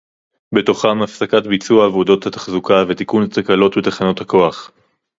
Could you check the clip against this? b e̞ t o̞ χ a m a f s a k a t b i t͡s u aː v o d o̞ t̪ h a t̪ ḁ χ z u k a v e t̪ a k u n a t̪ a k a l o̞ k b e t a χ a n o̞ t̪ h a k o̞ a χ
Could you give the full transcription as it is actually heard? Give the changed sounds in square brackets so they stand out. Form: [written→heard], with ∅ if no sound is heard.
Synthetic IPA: b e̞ t o̞ χ a m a f s a k a t b i t͡s u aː v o d o̞ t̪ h a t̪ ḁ χ z u k a v e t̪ [a→i] k u n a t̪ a k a l o̞ [k→t] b e t a χ a n o̞ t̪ h a k o̞ a χ